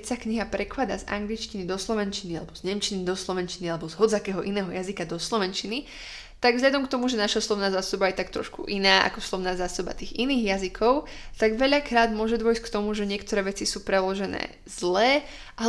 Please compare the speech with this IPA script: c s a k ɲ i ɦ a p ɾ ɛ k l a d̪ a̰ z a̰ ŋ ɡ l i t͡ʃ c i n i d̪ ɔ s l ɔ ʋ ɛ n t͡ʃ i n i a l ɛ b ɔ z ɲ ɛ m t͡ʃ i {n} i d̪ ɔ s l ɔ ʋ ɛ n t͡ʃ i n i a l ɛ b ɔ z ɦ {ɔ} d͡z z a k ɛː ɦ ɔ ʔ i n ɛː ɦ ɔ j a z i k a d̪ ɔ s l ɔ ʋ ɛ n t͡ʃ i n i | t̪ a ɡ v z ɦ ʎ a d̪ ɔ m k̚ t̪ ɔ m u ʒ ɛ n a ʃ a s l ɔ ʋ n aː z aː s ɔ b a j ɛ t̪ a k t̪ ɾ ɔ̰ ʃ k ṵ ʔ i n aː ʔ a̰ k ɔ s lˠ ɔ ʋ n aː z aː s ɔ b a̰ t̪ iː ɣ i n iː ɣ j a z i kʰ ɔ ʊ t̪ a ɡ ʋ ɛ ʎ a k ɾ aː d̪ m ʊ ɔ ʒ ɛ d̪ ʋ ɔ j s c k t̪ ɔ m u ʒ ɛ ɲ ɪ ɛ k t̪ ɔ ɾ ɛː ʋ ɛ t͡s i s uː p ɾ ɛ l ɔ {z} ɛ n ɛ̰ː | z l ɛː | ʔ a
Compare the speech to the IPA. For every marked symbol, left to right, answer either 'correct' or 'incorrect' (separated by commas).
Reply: correct, correct, incorrect